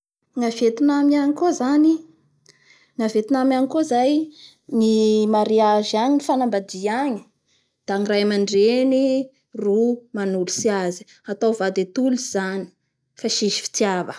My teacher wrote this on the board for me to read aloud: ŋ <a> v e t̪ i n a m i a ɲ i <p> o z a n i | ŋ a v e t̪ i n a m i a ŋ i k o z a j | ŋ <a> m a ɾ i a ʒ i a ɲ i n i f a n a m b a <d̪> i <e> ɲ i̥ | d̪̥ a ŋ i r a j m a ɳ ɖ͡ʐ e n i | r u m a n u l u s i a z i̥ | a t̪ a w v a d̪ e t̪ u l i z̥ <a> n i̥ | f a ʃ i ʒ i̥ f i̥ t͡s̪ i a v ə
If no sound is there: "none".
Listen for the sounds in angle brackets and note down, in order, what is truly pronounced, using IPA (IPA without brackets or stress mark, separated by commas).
a, k, i, d̪, a, a